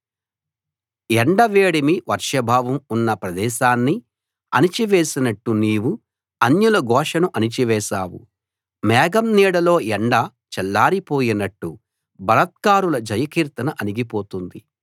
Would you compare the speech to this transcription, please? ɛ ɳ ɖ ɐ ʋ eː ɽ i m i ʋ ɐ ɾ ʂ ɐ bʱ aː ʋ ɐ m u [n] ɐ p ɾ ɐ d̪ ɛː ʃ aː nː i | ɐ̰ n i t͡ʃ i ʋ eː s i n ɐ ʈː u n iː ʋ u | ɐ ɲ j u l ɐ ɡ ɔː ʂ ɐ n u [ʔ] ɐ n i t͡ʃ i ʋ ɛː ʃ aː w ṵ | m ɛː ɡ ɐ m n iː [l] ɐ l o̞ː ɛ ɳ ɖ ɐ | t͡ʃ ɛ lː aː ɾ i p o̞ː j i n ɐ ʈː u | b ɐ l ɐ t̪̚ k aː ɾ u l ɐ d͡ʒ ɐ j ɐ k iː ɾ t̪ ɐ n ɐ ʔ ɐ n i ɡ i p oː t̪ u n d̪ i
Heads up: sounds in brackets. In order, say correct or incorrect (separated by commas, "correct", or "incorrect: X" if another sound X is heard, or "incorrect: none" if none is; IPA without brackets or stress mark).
incorrect: nː, correct, incorrect: ɽ